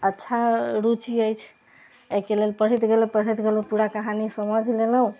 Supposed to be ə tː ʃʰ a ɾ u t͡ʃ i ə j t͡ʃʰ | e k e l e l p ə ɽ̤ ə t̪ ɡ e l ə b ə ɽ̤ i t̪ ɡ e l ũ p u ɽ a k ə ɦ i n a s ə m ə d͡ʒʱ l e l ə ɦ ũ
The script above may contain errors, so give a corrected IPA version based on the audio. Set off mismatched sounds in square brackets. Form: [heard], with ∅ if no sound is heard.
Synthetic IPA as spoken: ə tː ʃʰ a ɾ u t͡ʃ i ə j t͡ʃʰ | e k e l e l p ə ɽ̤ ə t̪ ɡ e l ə [p] ə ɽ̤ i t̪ ɡ e l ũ p u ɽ a k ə ɦ [a] n [i] s ə m ə d͡ʒʱ l e l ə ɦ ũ